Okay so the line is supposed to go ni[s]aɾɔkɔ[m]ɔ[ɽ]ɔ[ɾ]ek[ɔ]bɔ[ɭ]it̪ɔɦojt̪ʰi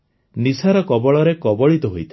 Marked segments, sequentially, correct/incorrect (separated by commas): correct, incorrect, incorrect, correct, correct, correct